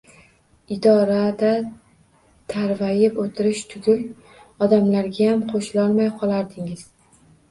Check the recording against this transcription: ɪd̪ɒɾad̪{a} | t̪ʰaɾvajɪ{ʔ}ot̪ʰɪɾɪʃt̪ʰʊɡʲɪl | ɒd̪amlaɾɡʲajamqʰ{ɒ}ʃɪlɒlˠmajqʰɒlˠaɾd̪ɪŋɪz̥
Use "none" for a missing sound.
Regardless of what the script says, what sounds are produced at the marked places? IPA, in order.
a, p, o

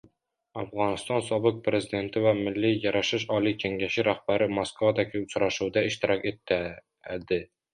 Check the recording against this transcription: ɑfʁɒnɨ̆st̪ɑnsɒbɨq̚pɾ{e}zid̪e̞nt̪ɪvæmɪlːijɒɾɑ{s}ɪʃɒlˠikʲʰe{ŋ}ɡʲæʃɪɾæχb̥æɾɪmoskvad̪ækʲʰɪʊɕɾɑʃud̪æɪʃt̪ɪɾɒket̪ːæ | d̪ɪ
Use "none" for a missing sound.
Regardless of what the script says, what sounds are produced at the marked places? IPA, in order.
e, ʃ, ŋ

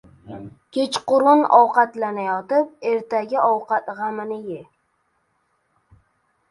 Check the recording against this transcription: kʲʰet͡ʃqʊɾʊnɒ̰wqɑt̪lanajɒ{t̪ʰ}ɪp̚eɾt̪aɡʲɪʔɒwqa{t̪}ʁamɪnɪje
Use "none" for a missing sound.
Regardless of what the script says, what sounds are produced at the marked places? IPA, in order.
t̪, t̪

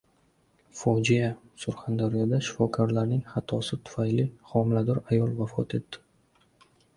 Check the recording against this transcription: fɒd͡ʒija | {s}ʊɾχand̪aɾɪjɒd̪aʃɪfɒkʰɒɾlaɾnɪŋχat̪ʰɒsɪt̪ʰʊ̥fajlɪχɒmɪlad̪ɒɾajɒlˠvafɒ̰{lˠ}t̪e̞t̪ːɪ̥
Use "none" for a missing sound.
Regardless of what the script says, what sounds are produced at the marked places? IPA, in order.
s, none

